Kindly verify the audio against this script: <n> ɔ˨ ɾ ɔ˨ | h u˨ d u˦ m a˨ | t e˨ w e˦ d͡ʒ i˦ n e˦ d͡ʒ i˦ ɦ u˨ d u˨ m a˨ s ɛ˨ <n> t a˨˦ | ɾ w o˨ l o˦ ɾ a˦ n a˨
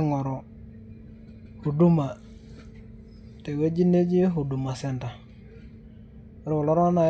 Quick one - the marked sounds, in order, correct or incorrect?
incorrect: ŋ, correct

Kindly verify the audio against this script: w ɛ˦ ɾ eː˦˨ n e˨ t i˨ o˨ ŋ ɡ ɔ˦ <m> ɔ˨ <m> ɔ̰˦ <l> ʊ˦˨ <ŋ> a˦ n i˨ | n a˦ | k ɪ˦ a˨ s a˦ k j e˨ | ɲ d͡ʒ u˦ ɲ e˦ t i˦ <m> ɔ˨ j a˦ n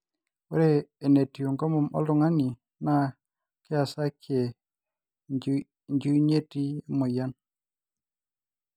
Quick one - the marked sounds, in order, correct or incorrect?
correct, correct, correct, correct, correct

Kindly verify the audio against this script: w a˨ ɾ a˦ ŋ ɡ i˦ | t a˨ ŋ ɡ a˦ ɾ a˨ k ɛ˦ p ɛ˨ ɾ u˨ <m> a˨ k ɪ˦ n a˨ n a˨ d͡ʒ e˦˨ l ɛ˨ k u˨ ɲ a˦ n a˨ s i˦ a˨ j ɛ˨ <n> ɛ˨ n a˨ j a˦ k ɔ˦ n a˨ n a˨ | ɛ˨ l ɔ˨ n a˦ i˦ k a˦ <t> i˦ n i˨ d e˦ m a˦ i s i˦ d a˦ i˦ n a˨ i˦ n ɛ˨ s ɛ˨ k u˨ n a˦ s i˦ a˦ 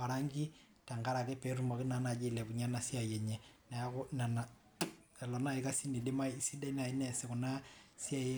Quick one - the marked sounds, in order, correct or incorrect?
correct, incorrect: ɲ, incorrect: s

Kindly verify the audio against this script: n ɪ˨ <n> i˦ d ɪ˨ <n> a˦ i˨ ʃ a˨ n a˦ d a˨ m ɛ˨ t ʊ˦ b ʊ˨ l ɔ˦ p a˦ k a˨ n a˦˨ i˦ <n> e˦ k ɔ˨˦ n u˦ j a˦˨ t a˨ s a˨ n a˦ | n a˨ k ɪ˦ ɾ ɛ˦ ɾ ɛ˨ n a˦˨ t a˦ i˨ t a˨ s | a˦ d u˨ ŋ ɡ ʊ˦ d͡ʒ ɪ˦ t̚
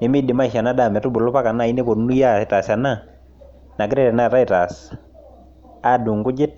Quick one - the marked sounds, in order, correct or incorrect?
incorrect: m, incorrect: m, correct

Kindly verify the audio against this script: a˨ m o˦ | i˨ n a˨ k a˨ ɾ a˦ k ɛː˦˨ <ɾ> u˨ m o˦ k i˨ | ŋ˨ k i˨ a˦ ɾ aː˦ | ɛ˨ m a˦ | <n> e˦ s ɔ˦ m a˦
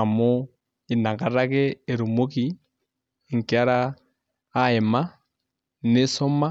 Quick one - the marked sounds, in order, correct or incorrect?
correct, correct

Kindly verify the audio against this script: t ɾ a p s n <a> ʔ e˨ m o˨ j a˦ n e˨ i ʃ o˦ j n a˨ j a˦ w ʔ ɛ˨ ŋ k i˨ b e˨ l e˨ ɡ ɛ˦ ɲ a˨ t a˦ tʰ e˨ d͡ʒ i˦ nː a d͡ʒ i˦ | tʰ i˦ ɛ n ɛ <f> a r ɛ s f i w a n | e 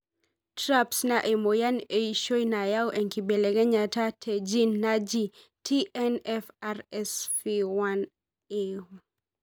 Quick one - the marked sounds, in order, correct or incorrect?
correct, correct

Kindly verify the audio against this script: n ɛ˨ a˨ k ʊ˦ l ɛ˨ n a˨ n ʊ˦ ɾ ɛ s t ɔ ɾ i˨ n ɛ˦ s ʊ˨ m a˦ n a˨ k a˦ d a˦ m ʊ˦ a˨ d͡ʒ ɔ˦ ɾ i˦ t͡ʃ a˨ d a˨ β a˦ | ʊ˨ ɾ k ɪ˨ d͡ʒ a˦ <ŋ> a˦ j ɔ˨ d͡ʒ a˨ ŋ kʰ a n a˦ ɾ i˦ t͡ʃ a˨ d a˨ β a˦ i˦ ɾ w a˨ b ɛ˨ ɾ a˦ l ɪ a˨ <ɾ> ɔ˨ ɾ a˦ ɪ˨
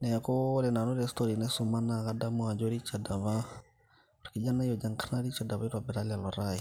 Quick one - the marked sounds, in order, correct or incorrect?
incorrect: n, incorrect: l

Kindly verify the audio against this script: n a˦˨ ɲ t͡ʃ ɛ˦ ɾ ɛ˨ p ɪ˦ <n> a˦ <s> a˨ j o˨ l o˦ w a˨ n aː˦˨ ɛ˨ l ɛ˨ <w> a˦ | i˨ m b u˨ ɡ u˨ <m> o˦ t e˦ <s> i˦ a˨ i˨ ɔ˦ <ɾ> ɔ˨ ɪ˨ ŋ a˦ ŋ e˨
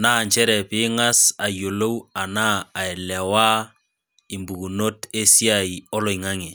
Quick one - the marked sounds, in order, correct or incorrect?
incorrect: ŋ, correct, correct, incorrect: n, correct, incorrect: l

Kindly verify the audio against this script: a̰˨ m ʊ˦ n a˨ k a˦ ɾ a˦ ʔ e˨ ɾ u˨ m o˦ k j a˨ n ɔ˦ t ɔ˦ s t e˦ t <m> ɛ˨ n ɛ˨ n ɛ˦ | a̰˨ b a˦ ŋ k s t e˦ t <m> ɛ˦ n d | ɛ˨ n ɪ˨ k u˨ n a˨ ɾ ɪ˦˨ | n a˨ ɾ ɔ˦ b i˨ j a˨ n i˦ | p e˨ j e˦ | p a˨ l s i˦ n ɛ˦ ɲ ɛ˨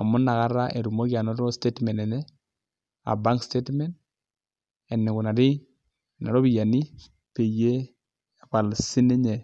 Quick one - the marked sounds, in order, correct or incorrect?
correct, correct

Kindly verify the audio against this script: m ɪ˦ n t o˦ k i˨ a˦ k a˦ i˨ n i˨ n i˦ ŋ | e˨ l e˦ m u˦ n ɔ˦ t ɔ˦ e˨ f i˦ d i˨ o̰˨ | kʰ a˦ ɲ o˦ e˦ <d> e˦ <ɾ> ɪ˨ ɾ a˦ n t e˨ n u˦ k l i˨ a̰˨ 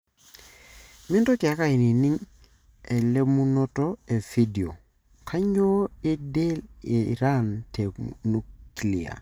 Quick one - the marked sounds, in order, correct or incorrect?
correct, incorrect: l

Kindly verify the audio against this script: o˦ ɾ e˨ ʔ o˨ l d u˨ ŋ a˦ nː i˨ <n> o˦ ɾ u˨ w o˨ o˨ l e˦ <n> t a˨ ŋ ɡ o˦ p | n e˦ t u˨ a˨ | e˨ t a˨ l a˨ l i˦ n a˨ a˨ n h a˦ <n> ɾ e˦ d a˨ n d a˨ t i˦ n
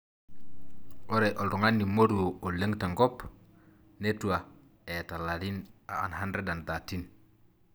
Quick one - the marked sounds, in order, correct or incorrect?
incorrect: m, incorrect: ŋ, correct

